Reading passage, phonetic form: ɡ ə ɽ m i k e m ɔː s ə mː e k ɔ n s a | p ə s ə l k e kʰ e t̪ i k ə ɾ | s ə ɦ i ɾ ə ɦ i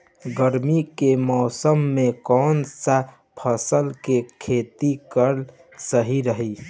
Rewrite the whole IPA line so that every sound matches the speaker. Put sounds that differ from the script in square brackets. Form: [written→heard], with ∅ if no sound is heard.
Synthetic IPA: ɡ ə [ɽ→ɾ] m i k e m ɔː s ə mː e k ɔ n s a | [p→pʰ] ə s ə l k e kʰ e t̪ i k ə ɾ | s ə ɦ i ɾ ə ɦ i